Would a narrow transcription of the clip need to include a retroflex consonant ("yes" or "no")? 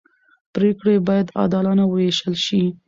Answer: yes